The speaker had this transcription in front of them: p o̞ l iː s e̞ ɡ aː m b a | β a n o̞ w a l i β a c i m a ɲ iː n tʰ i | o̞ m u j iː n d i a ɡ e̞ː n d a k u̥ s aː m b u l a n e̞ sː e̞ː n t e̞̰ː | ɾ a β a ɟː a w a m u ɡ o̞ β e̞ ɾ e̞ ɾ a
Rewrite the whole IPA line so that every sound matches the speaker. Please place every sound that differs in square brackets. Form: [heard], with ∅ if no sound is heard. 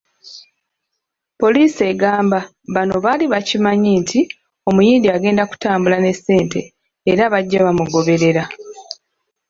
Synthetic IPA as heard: p o̞ l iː s e̞ ɡ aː m b a | β a n o̞ [β] a l i β a c i m a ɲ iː n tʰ i | o̞ m u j iː n d i a ɡ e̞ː n d a k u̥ [t] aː m b u l a n e̞ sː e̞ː n t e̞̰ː | ɾ a β a ɟː a [β] a m u ɡ o̞ β e̞ ɾ e̞ ɾ a